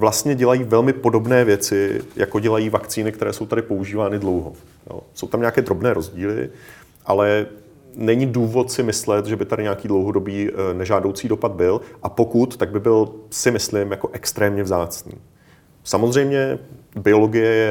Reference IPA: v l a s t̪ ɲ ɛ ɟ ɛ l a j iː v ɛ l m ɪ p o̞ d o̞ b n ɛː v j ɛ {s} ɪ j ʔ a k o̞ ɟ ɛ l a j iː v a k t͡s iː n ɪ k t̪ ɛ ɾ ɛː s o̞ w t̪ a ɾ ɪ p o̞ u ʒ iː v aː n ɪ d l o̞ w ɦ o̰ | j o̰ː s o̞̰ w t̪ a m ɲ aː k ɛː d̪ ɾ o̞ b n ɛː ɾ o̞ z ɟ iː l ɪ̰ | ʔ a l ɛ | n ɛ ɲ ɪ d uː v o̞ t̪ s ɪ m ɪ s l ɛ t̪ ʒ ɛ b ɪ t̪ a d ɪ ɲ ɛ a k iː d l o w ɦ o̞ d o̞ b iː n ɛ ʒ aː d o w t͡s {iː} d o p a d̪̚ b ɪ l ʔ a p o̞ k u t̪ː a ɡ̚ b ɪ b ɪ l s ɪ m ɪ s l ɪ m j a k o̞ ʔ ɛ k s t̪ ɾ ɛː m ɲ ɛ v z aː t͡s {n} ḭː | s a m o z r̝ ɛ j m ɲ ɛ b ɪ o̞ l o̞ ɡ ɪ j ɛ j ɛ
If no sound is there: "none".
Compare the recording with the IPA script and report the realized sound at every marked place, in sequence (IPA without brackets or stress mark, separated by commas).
t͡s, iː, n